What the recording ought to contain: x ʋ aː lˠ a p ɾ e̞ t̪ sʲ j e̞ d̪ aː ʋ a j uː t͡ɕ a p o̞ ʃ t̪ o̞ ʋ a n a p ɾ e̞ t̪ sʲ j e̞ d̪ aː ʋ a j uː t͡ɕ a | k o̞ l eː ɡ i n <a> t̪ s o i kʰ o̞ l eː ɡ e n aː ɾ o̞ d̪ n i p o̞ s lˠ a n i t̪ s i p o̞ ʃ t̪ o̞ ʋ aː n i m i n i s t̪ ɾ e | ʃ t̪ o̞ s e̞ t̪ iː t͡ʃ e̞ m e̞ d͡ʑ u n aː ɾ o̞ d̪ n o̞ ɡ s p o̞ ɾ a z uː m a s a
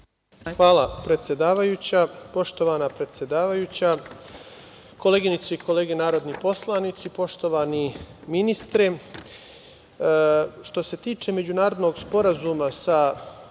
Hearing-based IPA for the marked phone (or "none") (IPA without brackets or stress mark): i